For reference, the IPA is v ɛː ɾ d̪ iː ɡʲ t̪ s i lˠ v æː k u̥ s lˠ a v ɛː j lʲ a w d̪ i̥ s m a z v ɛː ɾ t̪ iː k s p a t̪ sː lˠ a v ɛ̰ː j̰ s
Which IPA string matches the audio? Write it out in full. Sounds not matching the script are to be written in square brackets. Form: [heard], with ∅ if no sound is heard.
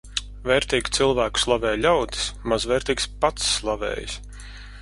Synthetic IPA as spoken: v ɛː ɾ [t̪] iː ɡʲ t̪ s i lˠ v æː k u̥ s lˠ a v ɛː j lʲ a w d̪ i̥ s m a z v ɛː ɾ t̪ iː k s p a t̪ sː lˠ a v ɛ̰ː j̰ s